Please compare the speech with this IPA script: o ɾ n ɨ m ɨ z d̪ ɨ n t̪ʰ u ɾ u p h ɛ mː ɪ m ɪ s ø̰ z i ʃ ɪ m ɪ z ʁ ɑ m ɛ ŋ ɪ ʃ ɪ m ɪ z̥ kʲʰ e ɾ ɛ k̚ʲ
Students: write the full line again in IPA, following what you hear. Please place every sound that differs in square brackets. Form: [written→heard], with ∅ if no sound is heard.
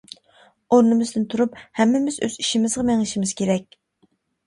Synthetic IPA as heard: o ɾ n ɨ m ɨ z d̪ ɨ n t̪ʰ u ɾ u p h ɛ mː ɪ m ɪ [s→z] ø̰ z i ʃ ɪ m ɪ z ʁ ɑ m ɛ ŋ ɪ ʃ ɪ m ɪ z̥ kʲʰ e ɾ ɛ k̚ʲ